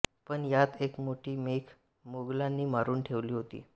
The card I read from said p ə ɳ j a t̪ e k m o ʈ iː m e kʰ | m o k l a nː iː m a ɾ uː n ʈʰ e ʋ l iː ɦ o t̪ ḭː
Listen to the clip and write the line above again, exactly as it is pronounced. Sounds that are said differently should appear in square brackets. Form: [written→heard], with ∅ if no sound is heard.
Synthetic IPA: p ə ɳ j a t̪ e k m o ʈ iː m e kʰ | m o [k→ɡ] l a nː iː m a ɾ uː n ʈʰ e ʋ l iː ɦ o t̪ ḭː